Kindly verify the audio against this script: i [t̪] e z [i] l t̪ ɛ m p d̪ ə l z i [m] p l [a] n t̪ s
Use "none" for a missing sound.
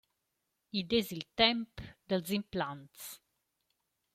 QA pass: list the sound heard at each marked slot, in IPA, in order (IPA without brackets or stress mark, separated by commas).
d̪, i, m, a